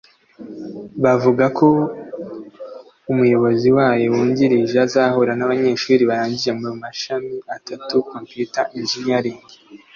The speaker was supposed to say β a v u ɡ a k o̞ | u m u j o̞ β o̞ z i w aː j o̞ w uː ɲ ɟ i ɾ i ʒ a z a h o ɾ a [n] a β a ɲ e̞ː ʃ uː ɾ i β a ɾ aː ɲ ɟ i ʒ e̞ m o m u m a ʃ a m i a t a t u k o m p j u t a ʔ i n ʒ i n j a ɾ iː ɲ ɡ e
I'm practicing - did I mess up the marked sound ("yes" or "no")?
no